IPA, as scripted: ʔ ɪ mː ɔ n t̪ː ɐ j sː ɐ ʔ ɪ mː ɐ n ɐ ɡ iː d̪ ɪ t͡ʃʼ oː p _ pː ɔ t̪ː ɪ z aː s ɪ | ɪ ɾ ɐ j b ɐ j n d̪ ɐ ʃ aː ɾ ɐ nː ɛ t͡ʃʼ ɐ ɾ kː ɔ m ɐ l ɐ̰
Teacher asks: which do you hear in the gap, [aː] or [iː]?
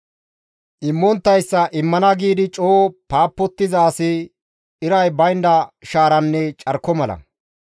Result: aː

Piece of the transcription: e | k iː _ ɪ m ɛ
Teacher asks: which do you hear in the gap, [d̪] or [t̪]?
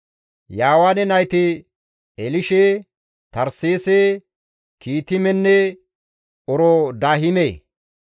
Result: t̪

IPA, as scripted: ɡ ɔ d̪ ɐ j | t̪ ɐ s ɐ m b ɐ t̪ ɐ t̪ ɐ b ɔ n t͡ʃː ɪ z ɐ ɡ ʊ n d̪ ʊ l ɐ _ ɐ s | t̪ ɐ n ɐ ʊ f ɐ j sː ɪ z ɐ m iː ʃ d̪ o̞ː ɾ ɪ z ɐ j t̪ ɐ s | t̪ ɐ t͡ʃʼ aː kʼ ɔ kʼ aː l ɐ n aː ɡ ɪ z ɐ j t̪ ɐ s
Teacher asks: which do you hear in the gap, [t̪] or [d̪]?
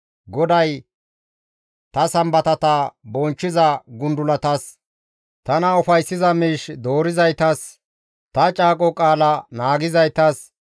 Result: t̪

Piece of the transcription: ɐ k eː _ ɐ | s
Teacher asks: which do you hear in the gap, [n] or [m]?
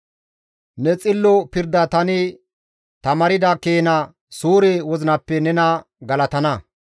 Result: n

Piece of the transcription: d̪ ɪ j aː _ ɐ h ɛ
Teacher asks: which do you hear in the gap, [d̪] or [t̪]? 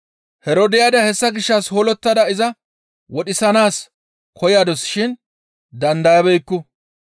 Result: d̪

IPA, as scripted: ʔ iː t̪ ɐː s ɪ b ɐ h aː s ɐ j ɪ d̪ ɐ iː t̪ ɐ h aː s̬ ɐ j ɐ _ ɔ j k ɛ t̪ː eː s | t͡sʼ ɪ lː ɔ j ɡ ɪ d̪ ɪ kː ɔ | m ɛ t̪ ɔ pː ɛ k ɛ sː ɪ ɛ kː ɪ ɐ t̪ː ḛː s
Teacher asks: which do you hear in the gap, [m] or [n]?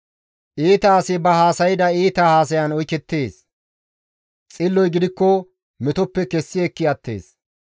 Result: n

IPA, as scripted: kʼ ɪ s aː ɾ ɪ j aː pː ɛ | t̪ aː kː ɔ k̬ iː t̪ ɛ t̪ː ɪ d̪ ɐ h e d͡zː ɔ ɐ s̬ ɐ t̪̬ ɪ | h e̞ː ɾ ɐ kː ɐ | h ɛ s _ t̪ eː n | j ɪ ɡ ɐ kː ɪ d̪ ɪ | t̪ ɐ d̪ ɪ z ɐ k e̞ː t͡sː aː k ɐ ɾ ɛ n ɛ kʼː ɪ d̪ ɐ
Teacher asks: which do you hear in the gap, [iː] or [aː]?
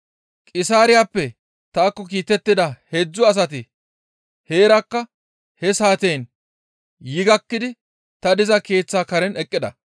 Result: aː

